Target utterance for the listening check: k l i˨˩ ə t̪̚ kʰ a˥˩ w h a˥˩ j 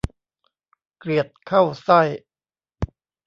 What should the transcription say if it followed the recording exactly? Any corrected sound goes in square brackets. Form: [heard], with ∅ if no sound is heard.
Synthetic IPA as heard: k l i˨˩ ə t̪̚ kʰ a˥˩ w [s] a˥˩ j